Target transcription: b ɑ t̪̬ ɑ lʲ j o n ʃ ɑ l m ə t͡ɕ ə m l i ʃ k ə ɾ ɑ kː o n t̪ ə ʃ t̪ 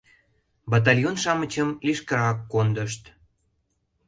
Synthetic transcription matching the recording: b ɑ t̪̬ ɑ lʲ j o n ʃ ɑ m ə t͡ɕ ə m l i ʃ k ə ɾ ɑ kː o n d̪ ə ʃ t̪

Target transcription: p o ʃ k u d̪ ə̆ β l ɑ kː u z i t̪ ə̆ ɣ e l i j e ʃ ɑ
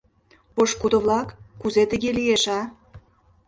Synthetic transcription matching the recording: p o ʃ k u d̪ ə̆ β l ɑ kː u z e t̪ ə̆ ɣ e l i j e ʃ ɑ

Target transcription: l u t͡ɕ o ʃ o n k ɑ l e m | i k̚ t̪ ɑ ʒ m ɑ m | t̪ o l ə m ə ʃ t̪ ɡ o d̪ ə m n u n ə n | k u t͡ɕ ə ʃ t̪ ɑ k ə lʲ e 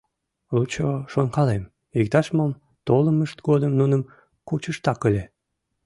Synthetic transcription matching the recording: l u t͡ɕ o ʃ o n k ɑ l e m | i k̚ t̪ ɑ ʃ m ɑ m | t̪ o l ə m ə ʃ t̪ ɡ o d̪ ə m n u n ə m | k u t͡ɕ ə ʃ t̪ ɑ k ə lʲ e

